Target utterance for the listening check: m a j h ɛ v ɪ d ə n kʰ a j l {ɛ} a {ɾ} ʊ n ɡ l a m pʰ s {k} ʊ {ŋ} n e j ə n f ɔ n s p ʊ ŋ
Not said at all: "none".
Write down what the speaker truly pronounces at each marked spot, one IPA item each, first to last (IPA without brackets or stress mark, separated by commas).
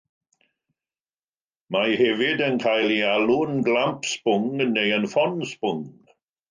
i, l, p, ŋ